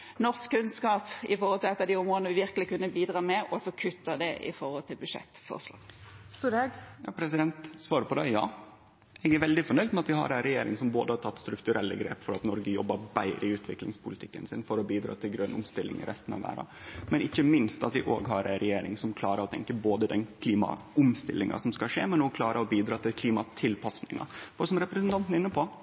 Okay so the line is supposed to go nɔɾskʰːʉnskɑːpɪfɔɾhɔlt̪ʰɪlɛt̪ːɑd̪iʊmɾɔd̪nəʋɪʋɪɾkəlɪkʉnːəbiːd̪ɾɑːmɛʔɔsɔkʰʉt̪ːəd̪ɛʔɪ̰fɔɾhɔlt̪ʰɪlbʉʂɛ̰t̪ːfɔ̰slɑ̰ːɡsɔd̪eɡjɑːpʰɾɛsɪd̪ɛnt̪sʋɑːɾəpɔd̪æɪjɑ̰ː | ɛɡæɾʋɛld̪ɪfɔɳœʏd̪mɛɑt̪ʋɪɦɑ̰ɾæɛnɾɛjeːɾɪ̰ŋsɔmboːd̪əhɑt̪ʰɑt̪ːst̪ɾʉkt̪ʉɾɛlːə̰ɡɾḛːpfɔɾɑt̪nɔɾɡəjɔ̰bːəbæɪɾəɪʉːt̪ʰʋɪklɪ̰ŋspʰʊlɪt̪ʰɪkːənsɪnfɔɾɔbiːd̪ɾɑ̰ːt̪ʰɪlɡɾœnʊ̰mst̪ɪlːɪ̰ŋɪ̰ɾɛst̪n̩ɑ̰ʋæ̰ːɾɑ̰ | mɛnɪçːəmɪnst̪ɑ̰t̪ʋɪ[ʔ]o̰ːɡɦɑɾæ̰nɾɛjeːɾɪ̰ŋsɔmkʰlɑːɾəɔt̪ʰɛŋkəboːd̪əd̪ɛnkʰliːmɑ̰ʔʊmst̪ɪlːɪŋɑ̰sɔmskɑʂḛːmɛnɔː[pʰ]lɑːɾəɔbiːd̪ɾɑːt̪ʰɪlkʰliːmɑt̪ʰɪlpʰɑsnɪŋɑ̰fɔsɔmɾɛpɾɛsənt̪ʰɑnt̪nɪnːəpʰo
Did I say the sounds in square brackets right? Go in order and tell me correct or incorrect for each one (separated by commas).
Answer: correct, incorrect